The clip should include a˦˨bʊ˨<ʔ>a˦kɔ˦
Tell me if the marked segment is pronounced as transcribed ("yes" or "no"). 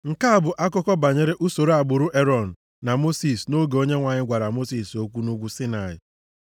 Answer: yes